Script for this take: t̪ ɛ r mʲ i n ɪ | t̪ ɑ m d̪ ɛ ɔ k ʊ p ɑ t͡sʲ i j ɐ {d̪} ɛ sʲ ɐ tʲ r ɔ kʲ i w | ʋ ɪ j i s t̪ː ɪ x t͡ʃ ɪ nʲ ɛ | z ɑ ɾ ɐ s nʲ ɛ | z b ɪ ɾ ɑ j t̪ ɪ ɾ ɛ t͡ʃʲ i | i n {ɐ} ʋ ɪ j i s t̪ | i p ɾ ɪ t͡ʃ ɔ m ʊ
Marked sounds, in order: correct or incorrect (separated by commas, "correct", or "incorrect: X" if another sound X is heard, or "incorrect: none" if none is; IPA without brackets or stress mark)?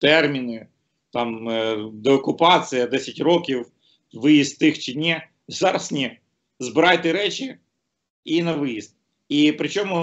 correct, correct